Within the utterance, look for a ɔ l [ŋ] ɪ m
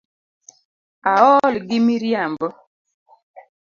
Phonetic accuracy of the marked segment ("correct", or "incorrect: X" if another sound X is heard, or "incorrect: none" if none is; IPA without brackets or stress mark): incorrect: ɡ